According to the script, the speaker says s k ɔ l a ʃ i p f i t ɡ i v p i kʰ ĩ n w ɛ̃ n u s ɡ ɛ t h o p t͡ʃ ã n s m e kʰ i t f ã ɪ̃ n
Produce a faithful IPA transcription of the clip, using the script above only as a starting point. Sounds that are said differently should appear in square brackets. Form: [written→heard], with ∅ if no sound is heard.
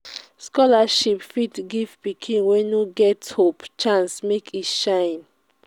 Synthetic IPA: s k ɔ l a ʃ i p f i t ɡ i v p i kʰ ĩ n w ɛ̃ n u [s→∅] ɡ ɛ t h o p t͡ʃ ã n s m e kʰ i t [f→ʃ] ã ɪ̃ n